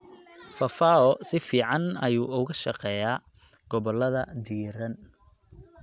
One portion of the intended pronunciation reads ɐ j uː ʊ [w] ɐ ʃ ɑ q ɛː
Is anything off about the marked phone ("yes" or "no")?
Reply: yes